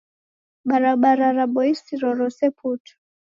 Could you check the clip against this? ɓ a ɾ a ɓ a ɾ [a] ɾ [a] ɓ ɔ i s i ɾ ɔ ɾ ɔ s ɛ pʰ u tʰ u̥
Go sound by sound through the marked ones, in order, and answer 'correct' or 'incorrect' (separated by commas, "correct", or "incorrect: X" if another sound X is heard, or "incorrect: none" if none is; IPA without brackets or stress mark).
correct, correct